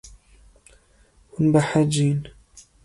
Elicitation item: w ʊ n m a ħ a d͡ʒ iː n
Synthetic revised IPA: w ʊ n b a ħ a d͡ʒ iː n